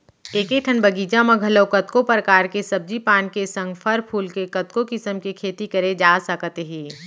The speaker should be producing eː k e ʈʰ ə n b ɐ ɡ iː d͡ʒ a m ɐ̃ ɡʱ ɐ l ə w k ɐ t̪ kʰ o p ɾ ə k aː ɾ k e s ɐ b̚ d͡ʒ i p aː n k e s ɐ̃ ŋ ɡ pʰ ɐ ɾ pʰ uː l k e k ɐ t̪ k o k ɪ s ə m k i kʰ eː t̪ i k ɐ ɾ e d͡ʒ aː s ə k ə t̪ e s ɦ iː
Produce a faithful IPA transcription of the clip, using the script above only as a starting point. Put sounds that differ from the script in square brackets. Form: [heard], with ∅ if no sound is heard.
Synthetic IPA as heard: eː k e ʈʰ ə n b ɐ ɡ iː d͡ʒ a m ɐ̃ ɡʱ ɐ l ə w k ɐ t̪ [k] o p ɾ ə k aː ɾ k e s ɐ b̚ d͡ʒ i p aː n k e s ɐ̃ ŋ ɡ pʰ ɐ ɾ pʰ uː l k e k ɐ t̪ k o k ɪ s ə m k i kʰ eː t̪ i k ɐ ɾ e d͡ʒ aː s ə k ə t̪ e [∅] ɦ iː